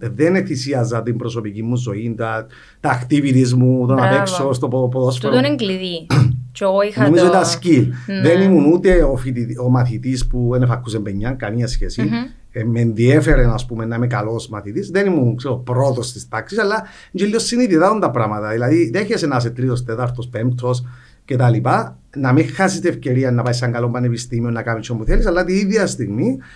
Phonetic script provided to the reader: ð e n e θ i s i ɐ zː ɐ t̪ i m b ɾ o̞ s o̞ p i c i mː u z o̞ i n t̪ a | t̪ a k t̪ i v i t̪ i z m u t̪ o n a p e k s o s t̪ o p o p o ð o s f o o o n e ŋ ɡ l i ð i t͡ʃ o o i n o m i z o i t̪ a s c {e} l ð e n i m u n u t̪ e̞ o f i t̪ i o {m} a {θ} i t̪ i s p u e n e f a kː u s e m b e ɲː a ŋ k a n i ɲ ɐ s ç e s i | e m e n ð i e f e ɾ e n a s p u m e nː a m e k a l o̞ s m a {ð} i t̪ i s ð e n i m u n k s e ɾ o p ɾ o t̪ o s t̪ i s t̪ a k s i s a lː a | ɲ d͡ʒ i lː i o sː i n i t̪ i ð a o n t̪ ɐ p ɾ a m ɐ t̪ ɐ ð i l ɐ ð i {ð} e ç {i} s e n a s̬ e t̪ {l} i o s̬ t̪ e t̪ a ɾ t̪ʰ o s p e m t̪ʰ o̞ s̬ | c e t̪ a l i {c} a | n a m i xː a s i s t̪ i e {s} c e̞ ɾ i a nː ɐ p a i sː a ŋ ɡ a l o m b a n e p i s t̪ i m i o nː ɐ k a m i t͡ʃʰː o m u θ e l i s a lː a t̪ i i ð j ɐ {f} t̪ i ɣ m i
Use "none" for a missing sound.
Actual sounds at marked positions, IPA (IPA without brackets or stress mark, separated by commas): i, m, θ, θ, ð, e, ɾ, p, f, s